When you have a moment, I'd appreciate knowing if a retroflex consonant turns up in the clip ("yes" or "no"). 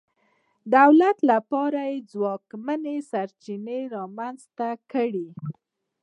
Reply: yes